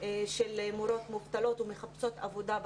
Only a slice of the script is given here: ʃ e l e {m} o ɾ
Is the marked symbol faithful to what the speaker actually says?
yes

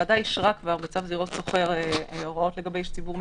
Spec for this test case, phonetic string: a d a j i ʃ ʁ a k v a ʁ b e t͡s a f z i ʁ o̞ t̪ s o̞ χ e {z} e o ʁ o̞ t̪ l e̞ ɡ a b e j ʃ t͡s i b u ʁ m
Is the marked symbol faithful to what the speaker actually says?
no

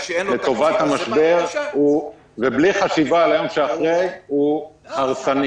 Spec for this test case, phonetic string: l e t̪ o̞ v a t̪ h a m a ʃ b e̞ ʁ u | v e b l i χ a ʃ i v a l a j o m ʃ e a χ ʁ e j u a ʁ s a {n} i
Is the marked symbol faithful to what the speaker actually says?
yes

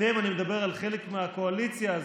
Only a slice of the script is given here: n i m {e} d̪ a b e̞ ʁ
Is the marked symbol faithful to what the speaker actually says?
yes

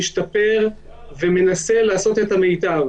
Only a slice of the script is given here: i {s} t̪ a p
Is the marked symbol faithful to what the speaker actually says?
no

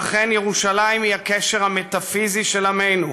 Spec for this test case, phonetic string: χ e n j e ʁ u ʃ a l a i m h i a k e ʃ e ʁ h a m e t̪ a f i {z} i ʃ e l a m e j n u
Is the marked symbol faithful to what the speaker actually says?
yes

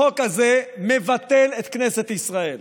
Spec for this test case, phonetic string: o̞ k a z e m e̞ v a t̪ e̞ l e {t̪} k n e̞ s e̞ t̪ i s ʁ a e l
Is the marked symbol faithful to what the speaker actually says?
yes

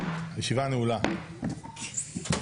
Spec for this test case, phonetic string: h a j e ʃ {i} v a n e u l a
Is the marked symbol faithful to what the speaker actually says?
yes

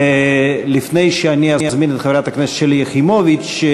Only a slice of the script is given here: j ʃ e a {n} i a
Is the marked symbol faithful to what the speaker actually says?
yes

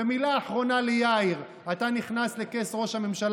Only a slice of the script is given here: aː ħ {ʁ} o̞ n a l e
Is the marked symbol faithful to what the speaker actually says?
yes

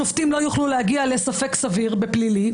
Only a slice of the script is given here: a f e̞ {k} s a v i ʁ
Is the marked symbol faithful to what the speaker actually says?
yes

